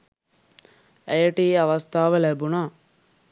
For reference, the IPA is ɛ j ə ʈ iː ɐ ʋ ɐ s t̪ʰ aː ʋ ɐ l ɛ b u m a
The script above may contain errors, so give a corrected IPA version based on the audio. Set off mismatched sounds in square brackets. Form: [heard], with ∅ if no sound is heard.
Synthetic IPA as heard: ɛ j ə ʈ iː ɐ ʋ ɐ s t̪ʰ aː ʋ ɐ l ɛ b u [n] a